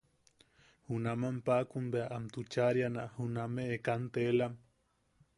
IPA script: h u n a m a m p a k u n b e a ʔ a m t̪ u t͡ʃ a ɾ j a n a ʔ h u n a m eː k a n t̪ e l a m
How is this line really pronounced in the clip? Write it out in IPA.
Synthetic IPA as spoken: h u n a m a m p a k u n b e a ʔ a m t̪ u t͡ʃ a ɾ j a n a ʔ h u n a m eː k a n t̪ e l a m